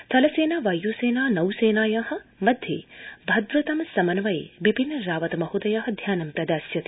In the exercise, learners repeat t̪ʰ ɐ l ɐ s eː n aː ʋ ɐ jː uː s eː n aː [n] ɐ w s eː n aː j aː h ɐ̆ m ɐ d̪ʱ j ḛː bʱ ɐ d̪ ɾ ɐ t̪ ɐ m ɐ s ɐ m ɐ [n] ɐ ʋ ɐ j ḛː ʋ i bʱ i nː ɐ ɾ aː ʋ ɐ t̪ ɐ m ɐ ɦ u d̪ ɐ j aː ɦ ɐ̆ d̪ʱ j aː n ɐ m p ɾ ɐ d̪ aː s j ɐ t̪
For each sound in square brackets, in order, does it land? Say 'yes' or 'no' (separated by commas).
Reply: yes, yes